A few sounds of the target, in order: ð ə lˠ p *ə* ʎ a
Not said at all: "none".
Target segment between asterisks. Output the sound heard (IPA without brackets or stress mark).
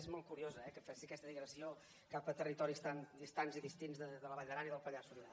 ə